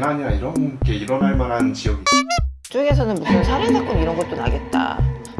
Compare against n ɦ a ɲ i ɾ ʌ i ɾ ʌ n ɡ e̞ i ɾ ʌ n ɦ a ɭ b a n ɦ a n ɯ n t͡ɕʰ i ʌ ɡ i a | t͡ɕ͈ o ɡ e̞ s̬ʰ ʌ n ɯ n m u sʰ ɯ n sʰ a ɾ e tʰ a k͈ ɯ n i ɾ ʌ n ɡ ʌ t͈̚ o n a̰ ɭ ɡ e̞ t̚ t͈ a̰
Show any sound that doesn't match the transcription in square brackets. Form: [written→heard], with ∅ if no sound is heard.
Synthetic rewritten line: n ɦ a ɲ i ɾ [ʌ→a] i ɾ ʌ n ɡ e̞ i ɾ ʌ n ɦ a ɭ [b→m] a n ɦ a n ɯ n [t͡ɕʰ→t͡ɕ] i ʌ ɡ i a | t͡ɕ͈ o ɡ e̞ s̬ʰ ʌ n ɯ n m u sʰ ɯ n sʰ a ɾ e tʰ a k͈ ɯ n i ɾ ʌ n ɡ ʌ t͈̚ o n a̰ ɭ ɡ e̞ t̚ t͈ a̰